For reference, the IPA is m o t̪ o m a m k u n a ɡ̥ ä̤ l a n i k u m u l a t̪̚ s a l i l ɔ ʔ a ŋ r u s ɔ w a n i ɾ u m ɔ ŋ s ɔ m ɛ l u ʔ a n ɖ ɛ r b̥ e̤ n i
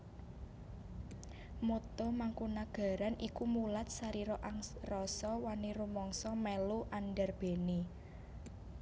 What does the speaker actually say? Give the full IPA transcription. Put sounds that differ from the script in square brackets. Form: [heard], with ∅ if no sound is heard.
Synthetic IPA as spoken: m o t̪ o m a [ŋ] k u n a ɡ̥ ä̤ [ɾ] a n i k u m u l a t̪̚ s a [ɾ] i [ɾ] ɔ ʔ a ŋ r [ɔ] s ɔ w a n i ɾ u m ɔ ŋ s ɔ m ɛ l u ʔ a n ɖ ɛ r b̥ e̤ n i